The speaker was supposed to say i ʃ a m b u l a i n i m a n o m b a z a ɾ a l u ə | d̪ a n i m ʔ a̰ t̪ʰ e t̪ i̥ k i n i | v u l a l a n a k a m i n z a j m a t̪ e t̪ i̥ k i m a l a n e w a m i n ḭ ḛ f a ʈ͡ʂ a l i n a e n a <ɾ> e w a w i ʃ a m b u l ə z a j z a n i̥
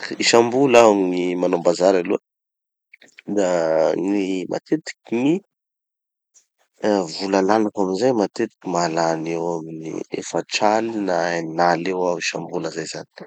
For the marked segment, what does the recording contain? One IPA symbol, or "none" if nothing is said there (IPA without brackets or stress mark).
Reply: l